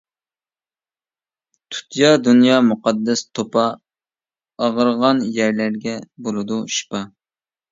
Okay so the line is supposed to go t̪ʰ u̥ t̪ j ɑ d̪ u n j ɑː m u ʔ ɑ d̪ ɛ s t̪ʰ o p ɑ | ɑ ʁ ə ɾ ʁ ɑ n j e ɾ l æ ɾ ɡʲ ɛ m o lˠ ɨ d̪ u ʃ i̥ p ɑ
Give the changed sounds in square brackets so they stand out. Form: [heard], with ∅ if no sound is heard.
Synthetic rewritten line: t̪ʰ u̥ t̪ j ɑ d̪ u n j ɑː m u [q] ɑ [d̪ː] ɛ s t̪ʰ o p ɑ | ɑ ʁ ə ɾ ʁ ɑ n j [æ] ɾ l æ ɾ ɡʲ ɛ [b] o lˠ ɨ d̪ u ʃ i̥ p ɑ